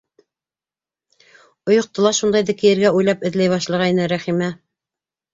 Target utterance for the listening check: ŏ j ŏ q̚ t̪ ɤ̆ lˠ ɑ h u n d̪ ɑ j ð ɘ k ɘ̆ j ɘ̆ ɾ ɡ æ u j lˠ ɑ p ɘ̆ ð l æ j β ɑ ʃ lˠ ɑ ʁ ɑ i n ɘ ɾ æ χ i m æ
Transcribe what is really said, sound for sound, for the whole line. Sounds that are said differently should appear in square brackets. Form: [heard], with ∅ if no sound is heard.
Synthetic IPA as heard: ŏ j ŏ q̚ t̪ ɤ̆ lˠ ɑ [ʃ] u n d̪ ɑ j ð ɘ k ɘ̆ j ɘ̆ ɾ ɡ æ u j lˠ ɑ p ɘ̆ ð l æ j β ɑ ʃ lˠ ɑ ʁ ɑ i n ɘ ɾ æ χ i m æ